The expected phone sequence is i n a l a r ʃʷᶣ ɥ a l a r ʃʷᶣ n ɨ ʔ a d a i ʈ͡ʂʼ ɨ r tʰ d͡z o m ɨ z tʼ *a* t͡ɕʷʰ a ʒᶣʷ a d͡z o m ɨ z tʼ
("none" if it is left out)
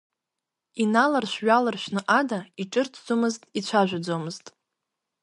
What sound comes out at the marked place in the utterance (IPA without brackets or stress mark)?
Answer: i